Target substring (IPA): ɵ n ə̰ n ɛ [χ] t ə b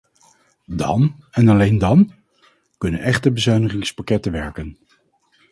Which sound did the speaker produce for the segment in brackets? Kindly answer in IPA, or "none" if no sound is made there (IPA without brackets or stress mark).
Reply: χ